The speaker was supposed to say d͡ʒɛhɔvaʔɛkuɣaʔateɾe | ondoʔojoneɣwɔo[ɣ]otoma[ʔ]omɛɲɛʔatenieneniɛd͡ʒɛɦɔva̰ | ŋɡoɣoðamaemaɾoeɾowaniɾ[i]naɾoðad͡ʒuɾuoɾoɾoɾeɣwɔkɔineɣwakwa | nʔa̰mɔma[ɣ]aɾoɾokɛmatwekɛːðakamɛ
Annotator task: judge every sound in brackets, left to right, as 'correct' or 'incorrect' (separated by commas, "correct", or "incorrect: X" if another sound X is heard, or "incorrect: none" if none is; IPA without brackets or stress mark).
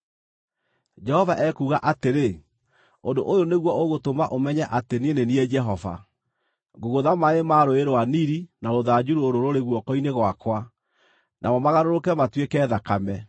correct, correct, correct, correct